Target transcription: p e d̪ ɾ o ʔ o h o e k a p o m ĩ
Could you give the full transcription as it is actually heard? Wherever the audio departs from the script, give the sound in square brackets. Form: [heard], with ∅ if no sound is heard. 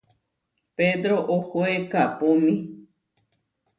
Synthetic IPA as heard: p e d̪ ɾ o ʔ o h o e k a p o m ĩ